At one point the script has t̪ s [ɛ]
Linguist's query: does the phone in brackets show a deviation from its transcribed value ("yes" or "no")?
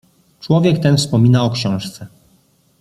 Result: no